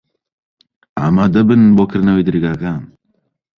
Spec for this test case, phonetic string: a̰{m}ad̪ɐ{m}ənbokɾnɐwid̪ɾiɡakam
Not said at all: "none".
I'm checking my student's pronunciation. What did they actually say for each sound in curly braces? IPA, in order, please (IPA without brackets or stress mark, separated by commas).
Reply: m, b